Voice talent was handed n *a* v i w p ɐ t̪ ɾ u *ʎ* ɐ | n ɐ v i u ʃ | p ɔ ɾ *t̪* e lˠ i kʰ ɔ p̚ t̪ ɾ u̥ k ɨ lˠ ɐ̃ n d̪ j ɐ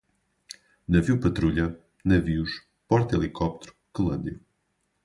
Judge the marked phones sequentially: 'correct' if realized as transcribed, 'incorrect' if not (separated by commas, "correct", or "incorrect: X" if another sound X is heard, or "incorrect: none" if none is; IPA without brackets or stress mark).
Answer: incorrect: ɐ, correct, correct